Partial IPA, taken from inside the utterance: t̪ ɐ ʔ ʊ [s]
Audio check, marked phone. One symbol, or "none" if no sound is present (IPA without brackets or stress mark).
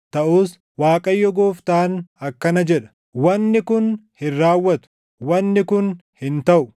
none